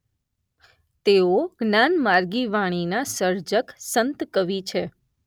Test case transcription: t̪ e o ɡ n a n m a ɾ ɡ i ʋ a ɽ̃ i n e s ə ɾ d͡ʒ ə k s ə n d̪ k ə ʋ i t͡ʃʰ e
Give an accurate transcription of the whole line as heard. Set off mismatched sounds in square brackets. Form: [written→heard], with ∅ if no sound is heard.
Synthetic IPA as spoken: t̪ e o ɡ n a n m a ɾ ɡ i ʋ a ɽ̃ i n [e→a] s ə ɾ d͡ʒ ə k s ə n [d̪→t̪] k ə ʋ i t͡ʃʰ e